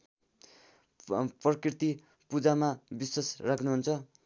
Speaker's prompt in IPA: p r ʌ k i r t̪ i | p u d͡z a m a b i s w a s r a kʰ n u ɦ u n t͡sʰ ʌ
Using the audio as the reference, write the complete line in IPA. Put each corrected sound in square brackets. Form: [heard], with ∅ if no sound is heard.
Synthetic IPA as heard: p r ʌ k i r t̪ i | p u d͡z a m a b i s w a s r a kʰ n u ɦ u n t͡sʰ ʌ